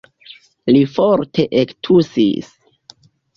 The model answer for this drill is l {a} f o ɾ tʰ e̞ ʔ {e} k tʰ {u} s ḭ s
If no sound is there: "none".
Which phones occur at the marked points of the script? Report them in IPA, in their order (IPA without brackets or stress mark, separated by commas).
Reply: i, e, u